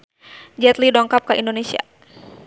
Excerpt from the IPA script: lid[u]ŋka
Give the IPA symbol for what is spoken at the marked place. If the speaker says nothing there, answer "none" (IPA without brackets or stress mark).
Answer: ɔ